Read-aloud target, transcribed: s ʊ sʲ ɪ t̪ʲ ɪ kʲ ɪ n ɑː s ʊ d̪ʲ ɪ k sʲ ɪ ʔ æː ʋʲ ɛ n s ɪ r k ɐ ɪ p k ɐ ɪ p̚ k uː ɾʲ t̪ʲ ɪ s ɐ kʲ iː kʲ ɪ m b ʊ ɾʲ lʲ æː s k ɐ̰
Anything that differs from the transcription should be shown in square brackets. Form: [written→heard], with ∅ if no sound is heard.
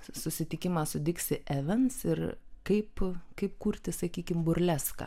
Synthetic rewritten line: s ʊ sʲ ɪ t̪ʲ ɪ kʲ ɪ [n→m] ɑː s ʊ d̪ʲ ɪ k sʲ ɪ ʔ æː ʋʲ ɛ n s ɪ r k ɐ ɪ p k ɐ ɪ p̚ k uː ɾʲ t̪ʲ ɪ s ɐ kʲ iː kʲ ɪ m b ʊ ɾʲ lʲ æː s k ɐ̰